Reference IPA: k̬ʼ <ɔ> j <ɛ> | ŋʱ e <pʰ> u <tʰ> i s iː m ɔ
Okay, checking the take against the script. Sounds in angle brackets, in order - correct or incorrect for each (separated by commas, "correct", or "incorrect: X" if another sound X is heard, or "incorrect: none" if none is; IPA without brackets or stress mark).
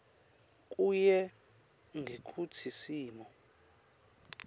incorrect: u, correct, incorrect: kʰ, correct